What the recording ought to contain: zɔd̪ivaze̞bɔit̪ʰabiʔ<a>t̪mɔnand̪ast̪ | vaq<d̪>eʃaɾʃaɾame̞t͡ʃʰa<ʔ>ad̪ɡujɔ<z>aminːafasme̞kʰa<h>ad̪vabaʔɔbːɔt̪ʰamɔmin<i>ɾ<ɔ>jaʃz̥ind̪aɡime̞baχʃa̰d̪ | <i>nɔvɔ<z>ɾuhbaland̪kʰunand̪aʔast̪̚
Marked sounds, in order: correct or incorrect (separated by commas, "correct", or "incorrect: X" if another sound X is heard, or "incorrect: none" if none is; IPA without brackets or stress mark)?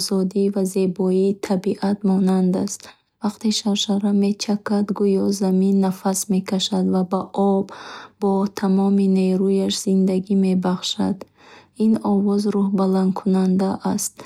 correct, incorrect: t̪, incorrect: k, correct, incorrect: ʃ, incorrect: e, incorrect: u, correct, correct